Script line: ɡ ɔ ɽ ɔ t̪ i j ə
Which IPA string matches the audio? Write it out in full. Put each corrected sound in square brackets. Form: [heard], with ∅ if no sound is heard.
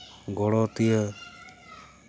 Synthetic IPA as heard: ɡ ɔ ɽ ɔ t̪ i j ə